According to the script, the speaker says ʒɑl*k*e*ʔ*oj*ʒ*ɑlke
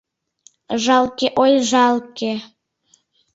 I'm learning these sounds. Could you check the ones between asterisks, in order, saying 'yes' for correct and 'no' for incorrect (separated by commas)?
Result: yes, yes, yes